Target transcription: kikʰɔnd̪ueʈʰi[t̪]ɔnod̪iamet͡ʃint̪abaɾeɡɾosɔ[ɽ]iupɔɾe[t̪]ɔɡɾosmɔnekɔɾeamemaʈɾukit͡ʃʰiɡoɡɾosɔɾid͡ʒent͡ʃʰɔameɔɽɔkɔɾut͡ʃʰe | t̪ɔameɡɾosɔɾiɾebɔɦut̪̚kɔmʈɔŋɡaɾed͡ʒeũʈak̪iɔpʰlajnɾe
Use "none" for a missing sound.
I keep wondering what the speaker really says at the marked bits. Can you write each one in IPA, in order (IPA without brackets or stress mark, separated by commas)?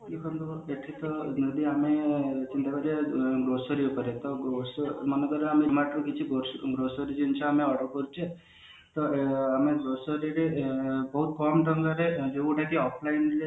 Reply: t̪, ɾ, t̪